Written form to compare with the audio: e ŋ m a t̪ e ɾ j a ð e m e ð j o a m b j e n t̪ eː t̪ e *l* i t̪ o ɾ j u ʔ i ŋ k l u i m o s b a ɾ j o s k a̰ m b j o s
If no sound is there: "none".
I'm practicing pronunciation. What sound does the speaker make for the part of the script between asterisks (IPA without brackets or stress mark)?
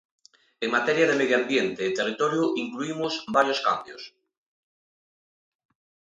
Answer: r